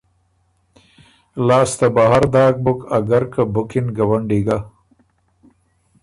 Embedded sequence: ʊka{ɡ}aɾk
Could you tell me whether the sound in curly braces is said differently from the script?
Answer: no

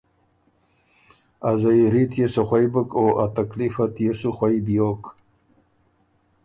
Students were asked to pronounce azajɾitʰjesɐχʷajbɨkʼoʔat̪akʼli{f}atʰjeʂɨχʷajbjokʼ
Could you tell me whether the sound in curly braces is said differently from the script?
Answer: no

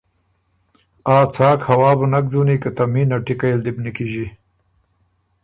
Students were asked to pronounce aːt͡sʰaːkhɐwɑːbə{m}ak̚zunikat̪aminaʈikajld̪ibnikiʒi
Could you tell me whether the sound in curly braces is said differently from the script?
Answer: yes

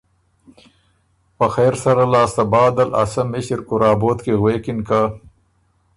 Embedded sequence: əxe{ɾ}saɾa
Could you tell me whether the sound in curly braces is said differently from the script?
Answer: no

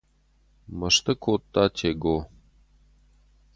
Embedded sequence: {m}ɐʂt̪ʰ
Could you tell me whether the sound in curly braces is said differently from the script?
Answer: no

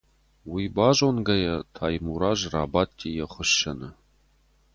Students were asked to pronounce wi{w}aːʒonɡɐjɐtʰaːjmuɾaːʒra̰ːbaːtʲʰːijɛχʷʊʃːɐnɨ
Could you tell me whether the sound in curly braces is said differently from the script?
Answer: yes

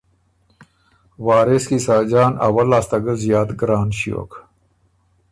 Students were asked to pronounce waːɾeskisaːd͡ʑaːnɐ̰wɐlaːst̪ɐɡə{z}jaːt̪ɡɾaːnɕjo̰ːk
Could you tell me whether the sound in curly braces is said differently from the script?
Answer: no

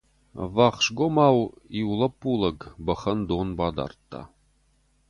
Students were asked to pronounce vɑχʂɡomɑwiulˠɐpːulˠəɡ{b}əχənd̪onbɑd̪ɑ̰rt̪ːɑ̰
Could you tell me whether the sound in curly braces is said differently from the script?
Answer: no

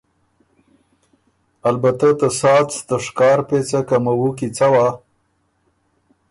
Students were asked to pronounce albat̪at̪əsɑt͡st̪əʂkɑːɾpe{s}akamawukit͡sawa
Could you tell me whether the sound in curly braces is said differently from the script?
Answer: yes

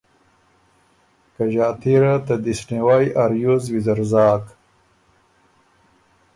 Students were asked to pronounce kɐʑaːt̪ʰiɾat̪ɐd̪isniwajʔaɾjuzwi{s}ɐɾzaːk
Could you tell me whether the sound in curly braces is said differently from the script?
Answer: yes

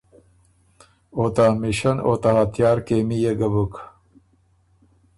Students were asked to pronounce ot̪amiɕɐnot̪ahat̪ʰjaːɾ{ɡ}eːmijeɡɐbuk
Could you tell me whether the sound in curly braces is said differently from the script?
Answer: yes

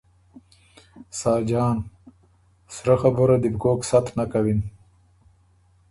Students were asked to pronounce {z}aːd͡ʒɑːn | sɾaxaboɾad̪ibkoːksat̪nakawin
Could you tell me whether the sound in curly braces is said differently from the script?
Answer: yes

